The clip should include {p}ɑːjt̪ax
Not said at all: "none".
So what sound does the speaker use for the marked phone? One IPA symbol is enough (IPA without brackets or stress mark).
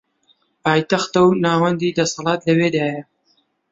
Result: p